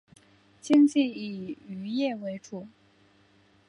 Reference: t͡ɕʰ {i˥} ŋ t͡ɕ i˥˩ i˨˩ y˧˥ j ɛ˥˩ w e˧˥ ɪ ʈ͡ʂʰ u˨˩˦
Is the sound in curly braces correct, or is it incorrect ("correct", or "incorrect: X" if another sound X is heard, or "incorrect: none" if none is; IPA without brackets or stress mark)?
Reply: correct